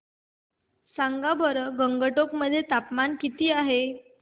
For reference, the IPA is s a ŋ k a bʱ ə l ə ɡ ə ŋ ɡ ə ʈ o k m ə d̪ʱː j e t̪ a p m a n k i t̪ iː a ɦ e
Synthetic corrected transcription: s a ŋ ɡ a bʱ ə ɾ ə ɡ ə ŋ ɡ ə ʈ o k m ə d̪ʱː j e t̪ a p m a n k i t̪ iː a ɦ e